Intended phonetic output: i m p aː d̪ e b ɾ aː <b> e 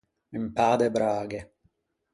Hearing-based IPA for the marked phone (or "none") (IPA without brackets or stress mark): ɡ